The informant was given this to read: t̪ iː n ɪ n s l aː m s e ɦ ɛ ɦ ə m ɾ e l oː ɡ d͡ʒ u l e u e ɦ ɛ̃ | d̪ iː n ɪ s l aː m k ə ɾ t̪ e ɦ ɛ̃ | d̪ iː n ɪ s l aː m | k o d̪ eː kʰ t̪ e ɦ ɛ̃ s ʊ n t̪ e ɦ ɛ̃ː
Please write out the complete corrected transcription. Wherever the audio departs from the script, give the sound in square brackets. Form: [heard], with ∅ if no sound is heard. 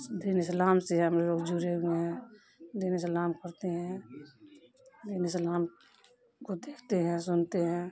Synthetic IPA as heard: [d̪] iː n ɪ [∅] s l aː m s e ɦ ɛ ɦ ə m ɾ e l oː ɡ d͡ʒ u [ɾ] e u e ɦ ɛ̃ | d̪ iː n ɪ s l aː m k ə ɾ t̪ e ɦ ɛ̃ | d̪ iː n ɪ s l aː m | k o d̪ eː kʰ t̪ e ɦ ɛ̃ s ʊ n t̪ e ɦ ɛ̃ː

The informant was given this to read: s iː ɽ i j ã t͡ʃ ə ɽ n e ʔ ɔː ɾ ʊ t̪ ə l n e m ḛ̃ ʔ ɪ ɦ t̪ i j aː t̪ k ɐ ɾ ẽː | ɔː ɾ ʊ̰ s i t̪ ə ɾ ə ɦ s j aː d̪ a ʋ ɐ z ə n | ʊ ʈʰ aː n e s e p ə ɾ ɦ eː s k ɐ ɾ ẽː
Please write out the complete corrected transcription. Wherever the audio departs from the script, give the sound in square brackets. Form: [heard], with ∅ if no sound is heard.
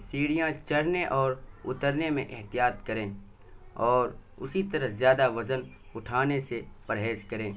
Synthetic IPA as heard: s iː ɽ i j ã t͡ʃ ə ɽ n e ʔ ɔː ɾ ʊ t̪ ə [ɾ] n e m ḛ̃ ʔ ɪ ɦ t̪ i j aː t̪ k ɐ ɾ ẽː | ɔː ɾ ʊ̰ s i t̪ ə ɾ ə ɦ [z] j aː d̪ a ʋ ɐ z ə n | ʊ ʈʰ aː n e s e p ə ɾ ɦ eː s k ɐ ɾ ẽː

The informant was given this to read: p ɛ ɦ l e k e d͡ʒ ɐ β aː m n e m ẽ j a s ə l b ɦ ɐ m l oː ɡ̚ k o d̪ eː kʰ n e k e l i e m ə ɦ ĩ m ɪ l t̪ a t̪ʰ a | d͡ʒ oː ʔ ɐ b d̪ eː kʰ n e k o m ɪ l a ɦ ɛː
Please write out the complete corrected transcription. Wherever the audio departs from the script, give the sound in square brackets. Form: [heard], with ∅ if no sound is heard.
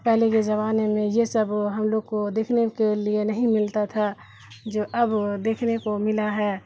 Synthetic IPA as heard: p ɛ ɦ l e k e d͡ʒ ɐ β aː [∅] n e m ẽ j [e] s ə [∅] b ɦ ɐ m l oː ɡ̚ k o d̪ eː kʰ n e k e l i e [n] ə ɦ ĩ m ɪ l t̪ a t̪ʰ a | d͡ʒ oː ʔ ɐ b d̪ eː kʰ n e k o m ɪ l a ɦ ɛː

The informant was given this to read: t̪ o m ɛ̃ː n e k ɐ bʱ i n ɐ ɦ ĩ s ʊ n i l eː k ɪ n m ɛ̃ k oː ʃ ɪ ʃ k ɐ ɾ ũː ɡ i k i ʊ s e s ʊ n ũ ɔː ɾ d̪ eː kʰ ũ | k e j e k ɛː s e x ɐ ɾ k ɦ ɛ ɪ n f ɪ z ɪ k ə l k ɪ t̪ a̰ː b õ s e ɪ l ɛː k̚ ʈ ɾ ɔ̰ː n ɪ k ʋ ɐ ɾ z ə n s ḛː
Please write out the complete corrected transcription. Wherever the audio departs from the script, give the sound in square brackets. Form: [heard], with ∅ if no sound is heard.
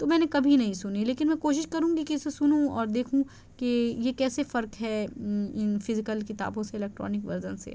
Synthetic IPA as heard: t̪ o m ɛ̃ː n e k ɐ bʱ i n ɐ ɦ ĩ s ʊ n i l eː k ɪ n m ɛ̃ k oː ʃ ɪ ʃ k ɐ ɾ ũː ɡ i k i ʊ s e s ʊ n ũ ɔː ɾ d̪ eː kʰ ũ | k e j e k ɛː s e [f] ɐ ɾ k ɦ ɛ ɪ n f ɪ z ɪ k ə l k ɪ t̪ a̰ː b õ s e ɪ l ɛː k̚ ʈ ɾ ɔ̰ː n ɪ k ʋ ɐ ɾ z ə n s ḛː

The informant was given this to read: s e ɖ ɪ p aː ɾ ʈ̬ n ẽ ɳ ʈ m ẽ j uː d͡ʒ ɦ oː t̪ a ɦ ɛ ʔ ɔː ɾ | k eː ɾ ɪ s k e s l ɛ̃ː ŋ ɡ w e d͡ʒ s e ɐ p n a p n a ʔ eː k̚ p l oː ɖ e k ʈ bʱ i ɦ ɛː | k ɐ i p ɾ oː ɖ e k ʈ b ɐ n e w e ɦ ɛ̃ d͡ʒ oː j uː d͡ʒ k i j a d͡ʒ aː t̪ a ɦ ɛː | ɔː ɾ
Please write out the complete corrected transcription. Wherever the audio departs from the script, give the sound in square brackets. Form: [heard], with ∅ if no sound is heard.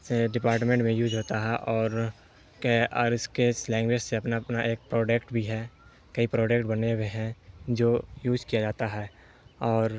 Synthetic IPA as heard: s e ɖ ɪ p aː ɾ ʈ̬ [m] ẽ ɳ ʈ m ẽ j uː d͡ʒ ɦ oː t̪ a ɦ ɛ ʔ ɔː ɾ | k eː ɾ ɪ s k e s l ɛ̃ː ŋ ɡ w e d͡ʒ s e ɐ p n a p n a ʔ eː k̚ p [ɾ] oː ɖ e k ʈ bʱ i ɦ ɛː | k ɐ i p ɾ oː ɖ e k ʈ b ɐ n e w e ɦ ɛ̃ d͡ʒ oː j uː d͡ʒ k i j a d͡ʒ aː t̪ a ɦ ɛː | ɔː ɾ

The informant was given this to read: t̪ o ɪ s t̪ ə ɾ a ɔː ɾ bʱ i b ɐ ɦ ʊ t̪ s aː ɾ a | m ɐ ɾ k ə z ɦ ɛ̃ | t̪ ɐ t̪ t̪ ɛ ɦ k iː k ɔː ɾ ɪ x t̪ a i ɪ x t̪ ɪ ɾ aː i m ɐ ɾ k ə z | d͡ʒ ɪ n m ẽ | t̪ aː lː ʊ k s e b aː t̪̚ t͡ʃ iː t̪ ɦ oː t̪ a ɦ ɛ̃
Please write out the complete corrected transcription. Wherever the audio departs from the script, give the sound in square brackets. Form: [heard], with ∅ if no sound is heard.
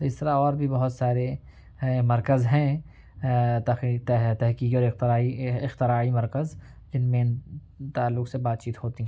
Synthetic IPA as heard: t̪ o ɪ s t̪ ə ɾ a ɔː ɾ bʱ i b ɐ ɦ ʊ t̪ s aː ɾ [e] | m ɐ ɾ k ə z ɦ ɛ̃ | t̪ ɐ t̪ t̪ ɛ ɦ k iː k ɔː ɾ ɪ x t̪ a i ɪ x t̪ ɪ ɾ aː i m ɐ ɾ k ə z | d͡ʒ ɪ n m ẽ | t̪ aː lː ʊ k s e b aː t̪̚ t͡ʃ iː t̪ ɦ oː t̪ [i] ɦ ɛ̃

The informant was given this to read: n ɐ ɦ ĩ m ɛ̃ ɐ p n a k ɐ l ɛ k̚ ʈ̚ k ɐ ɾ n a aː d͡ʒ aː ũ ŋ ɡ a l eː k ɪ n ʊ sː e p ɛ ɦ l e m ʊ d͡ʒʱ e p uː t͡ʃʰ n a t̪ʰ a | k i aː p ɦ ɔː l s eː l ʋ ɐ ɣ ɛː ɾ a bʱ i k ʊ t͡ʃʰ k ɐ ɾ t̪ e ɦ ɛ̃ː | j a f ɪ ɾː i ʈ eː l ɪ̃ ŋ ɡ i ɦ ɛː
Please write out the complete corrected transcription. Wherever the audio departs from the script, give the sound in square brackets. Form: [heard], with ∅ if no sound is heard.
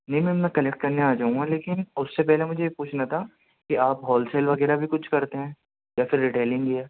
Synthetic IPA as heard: n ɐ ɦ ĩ m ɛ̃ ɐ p n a k ɐ l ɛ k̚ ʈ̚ k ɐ ɾ n [e] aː d͡ʒ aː ũ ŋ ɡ a l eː k ɪ n ʊ sː e p ɛ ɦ l e m ʊ d͡ʒʱ e p uː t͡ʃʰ n a t̪ʰ a | k i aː p ɦ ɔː l s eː l ʋ ɐ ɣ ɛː ɾ a bʱ i k ʊ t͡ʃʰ k ɐ ɾ t̪ e ɦ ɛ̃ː | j a f ɪ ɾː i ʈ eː l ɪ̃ ŋ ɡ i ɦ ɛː

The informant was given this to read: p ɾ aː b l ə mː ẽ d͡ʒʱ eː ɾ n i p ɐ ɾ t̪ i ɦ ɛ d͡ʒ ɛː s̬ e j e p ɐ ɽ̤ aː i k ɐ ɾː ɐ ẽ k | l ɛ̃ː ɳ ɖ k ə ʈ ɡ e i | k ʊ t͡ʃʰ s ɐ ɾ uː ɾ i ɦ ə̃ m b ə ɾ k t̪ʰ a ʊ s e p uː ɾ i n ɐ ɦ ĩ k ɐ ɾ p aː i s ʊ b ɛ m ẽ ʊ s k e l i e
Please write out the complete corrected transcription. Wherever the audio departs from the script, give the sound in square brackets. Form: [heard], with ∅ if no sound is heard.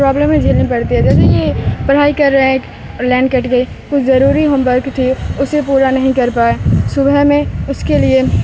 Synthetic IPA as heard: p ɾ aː b l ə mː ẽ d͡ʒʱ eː [l] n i p ɐ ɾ t̪ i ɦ ɛ d͡ʒ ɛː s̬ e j e p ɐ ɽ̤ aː i k ɐ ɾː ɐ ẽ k | l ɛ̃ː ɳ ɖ k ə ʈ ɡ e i | k ʊ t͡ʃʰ [z] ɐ ɾ uː ɾ i ɦ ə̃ m b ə ɾ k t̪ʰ [i] ʊ s e p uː ɾ [a] n ɐ ɦ ĩ k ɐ ɾ p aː [e] s ʊ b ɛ m ẽ ʊ s k e l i e

